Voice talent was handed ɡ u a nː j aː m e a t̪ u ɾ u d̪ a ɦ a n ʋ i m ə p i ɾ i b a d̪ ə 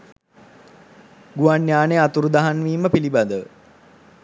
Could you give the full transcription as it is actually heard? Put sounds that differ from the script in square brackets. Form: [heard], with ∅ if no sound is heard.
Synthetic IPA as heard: ɡ u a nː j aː [n] e a t̪ u ɾ u d̪ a ɦ a n ʋ [iː] m ə p i [l] i b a d̪ ə